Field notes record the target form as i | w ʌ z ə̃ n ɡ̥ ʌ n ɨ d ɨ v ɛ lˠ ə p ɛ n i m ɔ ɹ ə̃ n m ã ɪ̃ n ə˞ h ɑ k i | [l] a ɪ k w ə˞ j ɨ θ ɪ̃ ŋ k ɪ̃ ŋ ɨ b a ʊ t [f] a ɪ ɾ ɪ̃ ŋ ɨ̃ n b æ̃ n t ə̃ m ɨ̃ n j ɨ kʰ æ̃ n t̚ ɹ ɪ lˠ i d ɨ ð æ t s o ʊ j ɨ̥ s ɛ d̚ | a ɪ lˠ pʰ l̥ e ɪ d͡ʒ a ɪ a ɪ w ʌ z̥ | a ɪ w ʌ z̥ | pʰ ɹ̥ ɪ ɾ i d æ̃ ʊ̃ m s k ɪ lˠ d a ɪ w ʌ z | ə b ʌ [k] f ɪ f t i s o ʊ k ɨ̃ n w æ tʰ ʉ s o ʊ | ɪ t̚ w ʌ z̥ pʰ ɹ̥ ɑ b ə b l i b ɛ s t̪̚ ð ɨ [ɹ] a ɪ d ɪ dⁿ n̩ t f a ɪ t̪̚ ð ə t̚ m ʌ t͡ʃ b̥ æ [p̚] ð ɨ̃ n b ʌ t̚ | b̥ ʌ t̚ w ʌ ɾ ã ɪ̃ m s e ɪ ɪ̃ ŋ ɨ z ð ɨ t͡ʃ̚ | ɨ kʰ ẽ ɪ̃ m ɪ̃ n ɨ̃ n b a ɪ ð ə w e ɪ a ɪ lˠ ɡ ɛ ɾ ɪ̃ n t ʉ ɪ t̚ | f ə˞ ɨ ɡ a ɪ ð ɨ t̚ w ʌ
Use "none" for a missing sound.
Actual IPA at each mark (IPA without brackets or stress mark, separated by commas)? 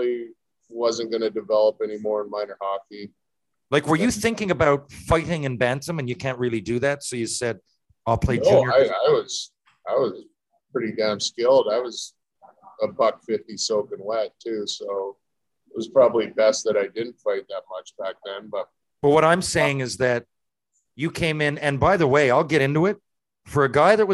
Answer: l, f, k, ɾ, k̚